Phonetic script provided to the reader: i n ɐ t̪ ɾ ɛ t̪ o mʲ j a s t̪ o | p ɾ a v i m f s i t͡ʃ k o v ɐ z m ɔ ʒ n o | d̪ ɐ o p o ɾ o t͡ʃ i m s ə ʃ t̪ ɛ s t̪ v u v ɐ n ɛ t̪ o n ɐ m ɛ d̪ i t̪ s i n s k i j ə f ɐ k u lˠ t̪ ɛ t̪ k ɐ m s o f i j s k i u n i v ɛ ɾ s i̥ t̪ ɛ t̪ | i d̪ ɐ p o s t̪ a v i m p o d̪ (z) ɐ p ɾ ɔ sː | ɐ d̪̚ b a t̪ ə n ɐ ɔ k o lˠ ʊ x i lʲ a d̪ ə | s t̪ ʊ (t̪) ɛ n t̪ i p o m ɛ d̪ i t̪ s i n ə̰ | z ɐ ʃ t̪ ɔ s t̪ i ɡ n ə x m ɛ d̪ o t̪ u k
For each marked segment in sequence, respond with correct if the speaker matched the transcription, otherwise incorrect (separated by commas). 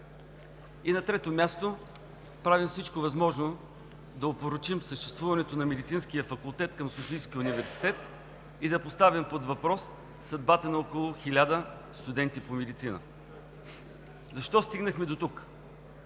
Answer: incorrect, incorrect